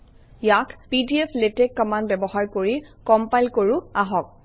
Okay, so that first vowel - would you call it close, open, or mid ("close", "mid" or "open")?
open